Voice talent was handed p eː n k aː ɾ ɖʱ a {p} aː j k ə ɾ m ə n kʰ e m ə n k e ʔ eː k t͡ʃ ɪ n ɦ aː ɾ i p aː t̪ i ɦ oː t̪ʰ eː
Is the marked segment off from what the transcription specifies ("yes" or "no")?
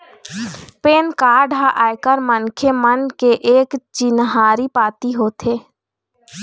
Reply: yes